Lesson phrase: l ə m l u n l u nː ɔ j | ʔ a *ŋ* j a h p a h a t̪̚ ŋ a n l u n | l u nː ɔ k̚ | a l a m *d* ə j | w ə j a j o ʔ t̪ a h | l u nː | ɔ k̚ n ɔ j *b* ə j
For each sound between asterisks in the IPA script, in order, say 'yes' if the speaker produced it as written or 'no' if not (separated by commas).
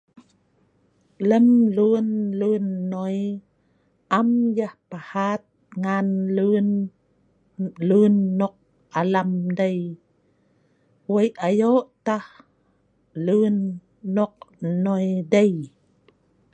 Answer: no, yes, no